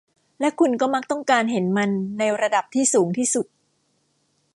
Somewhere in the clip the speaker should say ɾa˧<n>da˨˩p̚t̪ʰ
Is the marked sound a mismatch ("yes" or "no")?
yes